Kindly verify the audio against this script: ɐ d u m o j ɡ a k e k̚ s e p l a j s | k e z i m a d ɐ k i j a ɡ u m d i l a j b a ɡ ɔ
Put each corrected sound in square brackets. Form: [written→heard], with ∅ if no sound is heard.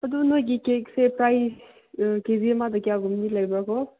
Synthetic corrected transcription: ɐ d u [m→n] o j ɡ [a→i] k e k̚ s e p [l→ɾ] a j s | k e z i m a d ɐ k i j a ɡ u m [d→n] i l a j b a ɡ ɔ